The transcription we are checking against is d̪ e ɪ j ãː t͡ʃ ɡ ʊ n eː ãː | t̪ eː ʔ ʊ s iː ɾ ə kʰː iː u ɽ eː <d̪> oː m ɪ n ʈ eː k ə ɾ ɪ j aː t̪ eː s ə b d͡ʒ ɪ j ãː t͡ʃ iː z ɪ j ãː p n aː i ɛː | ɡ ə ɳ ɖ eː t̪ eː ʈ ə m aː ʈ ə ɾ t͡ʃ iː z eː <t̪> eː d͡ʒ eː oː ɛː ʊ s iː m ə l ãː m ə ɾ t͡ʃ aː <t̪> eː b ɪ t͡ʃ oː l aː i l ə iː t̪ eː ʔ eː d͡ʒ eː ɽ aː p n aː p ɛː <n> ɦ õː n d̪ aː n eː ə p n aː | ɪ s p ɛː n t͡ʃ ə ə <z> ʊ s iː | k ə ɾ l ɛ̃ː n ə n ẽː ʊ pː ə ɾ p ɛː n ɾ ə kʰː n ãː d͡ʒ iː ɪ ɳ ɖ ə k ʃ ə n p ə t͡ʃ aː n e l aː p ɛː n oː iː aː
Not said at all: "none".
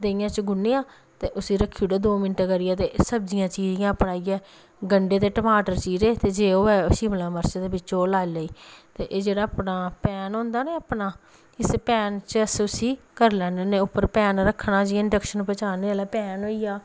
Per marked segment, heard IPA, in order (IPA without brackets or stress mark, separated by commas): d̪, t̪, d̪, n, s